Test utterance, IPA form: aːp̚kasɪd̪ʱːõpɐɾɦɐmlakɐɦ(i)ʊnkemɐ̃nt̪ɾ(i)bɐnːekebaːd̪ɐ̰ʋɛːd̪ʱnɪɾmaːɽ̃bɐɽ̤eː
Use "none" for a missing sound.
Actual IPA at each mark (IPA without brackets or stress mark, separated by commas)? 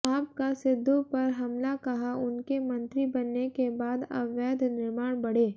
a, i